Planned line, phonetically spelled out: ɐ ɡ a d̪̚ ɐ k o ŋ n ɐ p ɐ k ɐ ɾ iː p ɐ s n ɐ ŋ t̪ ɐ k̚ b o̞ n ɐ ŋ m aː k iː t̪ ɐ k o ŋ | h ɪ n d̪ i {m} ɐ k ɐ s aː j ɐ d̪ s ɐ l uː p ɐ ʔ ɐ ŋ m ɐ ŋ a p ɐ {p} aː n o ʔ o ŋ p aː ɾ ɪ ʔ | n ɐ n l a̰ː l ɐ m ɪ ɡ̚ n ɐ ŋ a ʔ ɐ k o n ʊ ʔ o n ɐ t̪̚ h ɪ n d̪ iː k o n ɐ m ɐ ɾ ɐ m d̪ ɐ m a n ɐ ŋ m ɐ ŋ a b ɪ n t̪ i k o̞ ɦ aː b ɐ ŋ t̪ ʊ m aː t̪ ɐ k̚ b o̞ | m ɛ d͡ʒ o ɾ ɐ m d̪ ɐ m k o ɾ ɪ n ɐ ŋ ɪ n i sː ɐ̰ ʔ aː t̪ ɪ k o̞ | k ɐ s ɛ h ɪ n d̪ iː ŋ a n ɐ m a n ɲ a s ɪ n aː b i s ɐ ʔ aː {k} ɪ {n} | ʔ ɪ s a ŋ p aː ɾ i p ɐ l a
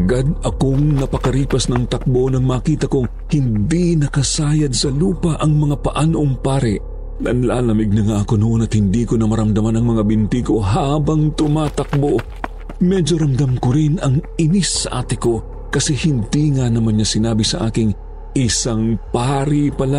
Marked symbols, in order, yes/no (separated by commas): no, no, yes, no